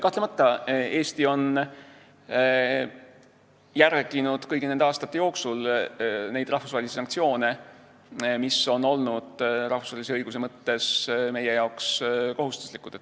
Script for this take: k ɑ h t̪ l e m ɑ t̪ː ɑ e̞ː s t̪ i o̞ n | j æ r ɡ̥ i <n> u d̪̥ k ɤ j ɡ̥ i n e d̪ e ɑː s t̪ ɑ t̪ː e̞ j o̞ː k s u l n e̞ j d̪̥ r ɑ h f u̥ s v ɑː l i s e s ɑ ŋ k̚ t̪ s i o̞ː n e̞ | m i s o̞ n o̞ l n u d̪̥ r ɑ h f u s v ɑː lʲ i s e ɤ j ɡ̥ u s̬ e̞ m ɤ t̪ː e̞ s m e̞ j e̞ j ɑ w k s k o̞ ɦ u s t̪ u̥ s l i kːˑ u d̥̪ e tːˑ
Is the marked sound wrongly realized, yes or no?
no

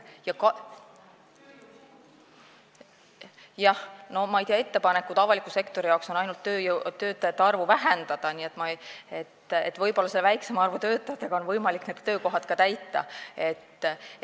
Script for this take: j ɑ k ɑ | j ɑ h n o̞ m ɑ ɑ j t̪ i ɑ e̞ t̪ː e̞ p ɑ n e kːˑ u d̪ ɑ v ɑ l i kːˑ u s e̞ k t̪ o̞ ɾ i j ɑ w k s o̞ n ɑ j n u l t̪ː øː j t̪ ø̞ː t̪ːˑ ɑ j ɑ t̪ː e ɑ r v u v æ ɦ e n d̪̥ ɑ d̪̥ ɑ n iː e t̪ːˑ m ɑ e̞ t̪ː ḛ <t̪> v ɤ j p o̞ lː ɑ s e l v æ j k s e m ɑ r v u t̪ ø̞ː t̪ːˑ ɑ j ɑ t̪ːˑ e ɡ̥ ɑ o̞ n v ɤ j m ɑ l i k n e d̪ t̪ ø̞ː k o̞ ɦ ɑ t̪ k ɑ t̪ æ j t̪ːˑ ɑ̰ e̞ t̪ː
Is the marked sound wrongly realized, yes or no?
no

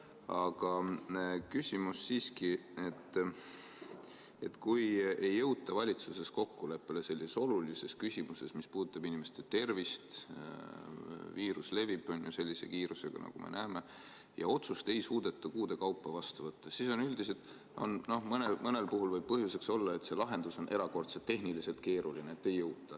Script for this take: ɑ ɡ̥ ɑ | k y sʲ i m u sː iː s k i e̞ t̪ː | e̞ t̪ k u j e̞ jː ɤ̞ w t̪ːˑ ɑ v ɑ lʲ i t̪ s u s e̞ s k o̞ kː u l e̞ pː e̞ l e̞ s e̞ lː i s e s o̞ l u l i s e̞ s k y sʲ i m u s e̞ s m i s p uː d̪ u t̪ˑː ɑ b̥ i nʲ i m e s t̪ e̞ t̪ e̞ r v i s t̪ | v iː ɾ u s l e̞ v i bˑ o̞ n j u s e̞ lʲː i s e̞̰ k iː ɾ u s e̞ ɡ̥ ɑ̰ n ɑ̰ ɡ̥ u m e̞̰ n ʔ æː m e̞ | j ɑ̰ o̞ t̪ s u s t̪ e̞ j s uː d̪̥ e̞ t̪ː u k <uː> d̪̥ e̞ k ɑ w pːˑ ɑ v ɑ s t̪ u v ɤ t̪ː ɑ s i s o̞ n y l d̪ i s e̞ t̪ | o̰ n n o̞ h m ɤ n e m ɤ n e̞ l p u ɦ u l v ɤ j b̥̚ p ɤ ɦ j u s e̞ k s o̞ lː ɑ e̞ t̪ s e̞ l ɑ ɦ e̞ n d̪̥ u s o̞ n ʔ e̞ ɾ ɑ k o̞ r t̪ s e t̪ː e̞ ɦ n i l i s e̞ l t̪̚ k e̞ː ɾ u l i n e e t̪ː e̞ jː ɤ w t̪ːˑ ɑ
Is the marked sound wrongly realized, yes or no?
no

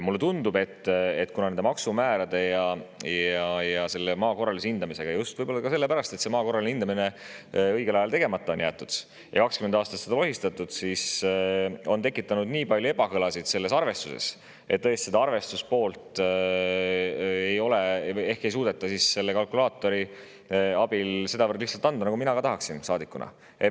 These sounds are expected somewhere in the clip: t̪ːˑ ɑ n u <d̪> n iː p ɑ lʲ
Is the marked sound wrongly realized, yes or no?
no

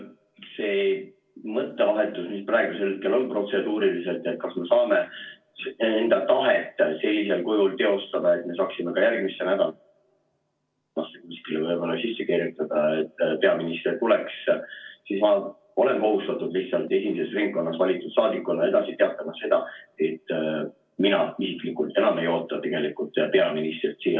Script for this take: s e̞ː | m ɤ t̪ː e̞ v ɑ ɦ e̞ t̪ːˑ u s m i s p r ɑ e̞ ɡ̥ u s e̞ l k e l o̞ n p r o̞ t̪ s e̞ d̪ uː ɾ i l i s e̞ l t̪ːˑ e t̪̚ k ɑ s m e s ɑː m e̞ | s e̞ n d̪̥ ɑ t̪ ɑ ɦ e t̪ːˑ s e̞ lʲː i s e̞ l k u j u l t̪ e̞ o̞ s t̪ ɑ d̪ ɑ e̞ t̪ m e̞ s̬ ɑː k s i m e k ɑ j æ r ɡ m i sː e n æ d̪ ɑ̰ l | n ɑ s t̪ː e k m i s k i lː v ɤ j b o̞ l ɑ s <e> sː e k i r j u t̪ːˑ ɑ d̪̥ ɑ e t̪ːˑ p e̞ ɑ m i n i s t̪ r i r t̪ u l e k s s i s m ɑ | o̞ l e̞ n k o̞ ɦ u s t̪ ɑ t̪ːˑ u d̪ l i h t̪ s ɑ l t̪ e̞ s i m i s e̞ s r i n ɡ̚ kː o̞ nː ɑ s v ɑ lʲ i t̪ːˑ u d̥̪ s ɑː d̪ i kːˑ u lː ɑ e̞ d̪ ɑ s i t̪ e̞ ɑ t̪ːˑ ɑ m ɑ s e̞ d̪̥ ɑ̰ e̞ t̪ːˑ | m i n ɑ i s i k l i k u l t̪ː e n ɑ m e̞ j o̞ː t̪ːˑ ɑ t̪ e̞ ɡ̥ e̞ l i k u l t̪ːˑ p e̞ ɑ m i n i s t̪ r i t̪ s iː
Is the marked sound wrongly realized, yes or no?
yes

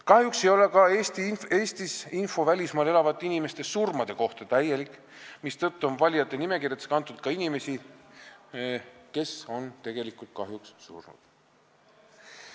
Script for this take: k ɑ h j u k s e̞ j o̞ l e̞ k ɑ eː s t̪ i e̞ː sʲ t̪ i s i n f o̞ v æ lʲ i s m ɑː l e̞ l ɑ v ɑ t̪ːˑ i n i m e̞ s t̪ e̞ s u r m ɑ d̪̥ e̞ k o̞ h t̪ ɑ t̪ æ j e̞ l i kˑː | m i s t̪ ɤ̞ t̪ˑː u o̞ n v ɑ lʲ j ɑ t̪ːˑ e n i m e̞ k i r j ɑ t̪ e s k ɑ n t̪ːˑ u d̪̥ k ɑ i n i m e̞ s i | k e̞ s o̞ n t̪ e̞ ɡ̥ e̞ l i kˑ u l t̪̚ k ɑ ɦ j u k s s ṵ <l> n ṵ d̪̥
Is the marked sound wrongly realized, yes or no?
yes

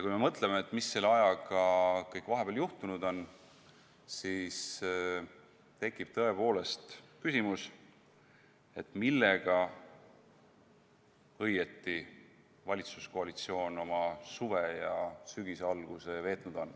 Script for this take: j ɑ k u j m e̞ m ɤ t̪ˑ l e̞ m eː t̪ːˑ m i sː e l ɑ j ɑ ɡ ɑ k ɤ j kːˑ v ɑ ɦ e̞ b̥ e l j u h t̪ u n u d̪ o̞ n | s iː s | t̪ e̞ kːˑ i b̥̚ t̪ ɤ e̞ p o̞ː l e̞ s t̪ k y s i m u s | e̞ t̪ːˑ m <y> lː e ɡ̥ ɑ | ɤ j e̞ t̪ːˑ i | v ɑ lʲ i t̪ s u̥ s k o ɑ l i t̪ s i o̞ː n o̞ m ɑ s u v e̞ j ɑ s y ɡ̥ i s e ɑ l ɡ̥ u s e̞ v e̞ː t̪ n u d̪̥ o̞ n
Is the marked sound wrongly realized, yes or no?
yes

